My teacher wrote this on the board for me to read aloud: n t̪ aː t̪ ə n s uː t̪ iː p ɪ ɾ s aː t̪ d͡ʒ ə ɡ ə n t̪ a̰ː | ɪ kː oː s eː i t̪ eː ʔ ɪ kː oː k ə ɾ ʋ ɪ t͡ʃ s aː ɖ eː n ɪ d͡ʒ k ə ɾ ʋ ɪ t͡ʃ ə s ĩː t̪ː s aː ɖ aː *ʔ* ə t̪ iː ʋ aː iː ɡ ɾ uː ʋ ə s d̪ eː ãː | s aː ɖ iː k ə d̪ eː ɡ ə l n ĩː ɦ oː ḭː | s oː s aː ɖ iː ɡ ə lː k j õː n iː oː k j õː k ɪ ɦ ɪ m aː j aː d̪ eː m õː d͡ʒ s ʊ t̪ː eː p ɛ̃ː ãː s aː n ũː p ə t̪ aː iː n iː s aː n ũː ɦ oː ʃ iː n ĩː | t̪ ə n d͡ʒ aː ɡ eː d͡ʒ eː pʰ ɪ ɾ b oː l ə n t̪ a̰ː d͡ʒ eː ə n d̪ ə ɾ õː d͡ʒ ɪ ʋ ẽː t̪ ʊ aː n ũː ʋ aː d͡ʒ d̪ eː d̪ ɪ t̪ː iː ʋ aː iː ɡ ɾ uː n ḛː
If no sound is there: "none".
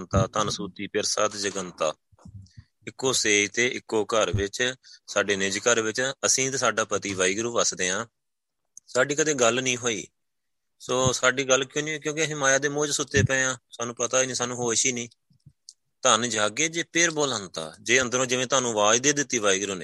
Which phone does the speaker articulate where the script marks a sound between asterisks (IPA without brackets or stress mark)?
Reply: p